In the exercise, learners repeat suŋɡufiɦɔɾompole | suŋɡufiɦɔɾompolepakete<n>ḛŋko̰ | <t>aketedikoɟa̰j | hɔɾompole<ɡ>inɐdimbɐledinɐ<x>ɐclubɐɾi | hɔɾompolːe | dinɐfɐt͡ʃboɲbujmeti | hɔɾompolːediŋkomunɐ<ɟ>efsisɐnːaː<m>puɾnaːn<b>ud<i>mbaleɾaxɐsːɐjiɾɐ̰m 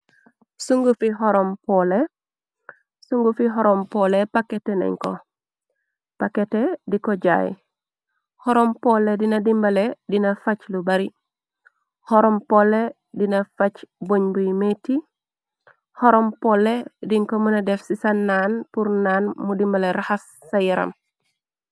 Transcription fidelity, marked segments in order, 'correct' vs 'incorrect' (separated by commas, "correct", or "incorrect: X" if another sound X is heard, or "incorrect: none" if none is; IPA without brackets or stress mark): correct, incorrect: p, incorrect: d, incorrect: f, incorrect: d, incorrect: n, incorrect: m, correct